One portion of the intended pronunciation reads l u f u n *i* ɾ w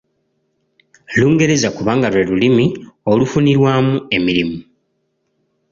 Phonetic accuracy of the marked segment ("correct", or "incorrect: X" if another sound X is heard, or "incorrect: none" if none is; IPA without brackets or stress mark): correct